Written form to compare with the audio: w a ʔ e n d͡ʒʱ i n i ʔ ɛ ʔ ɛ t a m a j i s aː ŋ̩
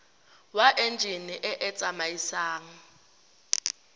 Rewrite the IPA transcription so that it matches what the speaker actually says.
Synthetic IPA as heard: w a ʔ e n d͡ʒʱ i n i ʔ ɛ ʔ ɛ t͡sʼ a m a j i s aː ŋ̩